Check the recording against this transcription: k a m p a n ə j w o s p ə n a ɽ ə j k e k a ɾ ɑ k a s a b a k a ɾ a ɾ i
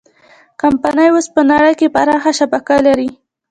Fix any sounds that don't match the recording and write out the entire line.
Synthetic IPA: k a m p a n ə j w o s p ə n a ɽ ə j k e p a ɾ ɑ x a ʃ a b a k a l a ɾ i